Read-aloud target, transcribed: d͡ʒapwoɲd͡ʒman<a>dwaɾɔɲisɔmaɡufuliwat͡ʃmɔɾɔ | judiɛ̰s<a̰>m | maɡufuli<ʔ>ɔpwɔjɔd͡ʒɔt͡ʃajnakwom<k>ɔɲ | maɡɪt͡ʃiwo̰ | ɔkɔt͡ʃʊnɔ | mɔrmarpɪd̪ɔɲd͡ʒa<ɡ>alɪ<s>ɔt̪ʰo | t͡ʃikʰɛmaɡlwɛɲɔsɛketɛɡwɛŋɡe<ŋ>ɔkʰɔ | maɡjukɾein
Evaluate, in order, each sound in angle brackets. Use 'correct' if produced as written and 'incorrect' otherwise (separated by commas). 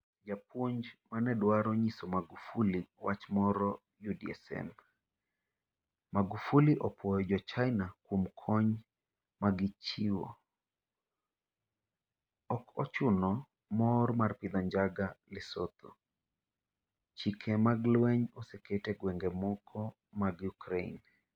incorrect, incorrect, correct, incorrect, correct, correct, incorrect